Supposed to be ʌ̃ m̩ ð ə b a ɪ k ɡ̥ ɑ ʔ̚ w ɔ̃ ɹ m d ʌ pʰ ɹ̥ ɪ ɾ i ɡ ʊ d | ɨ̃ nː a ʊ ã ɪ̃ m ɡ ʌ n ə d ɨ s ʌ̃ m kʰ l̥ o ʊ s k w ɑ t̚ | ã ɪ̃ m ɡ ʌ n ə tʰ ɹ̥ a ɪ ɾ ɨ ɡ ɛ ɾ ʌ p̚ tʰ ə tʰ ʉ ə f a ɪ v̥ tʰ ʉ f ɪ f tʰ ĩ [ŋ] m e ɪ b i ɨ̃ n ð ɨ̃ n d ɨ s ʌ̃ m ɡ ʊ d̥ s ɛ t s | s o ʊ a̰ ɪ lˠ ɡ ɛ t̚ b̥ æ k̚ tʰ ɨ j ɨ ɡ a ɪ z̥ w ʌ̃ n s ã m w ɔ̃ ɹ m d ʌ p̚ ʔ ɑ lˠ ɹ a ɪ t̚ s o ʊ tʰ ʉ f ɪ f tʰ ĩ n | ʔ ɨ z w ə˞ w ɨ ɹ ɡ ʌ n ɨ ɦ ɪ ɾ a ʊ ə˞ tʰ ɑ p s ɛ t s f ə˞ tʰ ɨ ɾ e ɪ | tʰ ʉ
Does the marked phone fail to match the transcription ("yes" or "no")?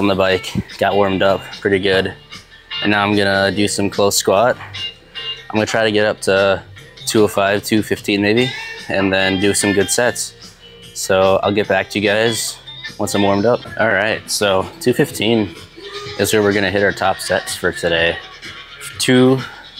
yes